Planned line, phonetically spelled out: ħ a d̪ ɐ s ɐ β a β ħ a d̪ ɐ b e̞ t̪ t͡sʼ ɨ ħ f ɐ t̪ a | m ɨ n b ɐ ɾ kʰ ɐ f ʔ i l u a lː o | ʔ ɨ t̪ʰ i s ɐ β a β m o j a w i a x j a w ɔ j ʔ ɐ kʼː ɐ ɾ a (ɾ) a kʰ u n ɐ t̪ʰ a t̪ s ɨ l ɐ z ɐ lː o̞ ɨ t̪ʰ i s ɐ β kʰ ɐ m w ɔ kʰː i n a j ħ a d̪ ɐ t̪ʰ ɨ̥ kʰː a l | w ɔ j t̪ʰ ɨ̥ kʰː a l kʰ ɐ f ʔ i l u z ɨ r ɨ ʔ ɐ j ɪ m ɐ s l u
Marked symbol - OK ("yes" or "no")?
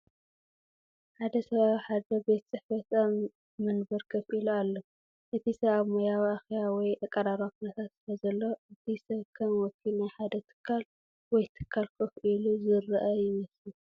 yes